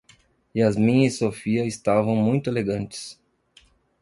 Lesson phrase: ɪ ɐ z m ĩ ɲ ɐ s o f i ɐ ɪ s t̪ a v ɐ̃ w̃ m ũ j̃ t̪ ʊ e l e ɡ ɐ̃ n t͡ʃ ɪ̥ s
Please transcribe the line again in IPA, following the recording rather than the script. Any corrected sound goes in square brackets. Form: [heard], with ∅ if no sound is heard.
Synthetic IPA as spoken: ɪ ɐ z m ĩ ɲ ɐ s o f i ɐ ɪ s t̪ a v ɐ̃ w̃ m ũ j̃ t̪ ʊ e l e ɡ ɐ̃ n t͡ʃ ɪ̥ s